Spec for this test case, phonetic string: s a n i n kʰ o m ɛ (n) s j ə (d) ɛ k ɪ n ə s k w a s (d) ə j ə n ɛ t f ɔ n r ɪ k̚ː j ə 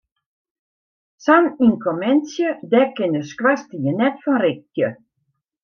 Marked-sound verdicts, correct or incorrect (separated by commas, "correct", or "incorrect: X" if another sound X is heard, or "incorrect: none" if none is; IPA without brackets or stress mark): correct, correct, incorrect: t